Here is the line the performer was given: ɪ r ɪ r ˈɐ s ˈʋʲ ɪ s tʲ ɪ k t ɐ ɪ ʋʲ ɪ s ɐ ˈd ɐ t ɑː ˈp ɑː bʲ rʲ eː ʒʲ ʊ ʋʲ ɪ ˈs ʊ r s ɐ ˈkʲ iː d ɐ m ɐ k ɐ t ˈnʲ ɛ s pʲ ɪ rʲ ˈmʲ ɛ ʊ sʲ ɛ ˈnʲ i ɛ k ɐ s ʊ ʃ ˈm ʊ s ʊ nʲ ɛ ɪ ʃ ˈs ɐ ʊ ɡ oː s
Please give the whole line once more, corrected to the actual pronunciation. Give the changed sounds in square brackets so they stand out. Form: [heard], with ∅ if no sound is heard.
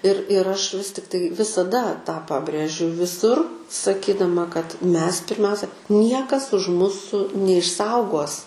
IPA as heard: ɪ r ɪ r ˈɐ [ʃ] ˈʋʲ ɪ s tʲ ɪ k t ɐ ɪ ʋʲ ɪ s ɐ ˈd ɐ t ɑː ˈp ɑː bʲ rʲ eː ʒʲ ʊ ʋʲ ɪ ˈs ʊ r s ɐ ˈkʲ iː d ɐ m ɐ k ɐ t [ˈmʲ] ɛ s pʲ ɪ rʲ ˈmʲ ɛ ʊ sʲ ɛ ˈnʲ i ɛ k ɐ s ʊ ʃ ˈm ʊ s ʊ nʲ ɛ ɪ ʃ ˈs ɐ ʊ ɡ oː s